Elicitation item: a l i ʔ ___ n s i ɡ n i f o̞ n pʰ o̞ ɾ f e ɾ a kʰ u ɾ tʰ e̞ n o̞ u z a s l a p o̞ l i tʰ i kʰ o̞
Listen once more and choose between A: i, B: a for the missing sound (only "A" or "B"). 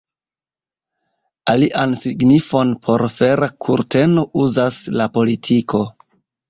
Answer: B